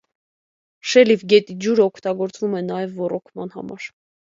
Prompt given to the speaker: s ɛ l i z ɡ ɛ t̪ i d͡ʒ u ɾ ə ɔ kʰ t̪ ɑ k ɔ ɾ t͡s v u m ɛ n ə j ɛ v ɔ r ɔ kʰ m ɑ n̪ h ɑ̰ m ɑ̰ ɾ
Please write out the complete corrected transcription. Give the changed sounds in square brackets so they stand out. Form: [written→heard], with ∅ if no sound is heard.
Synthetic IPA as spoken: [s→ʃ] ɛ l i [z→v] ɡ ɛ t̪ i d͡ʒ u ɾ ə ɔ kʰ t̪ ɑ [k→ɡ] ɔ ɾ t͡s v u m ɛ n [ə→ɑ] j ɛ [v→vː] ɔ r ɔ kʰ m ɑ n̪ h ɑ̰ m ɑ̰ ɾ